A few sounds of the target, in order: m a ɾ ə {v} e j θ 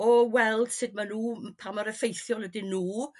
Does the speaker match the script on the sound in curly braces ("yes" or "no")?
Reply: no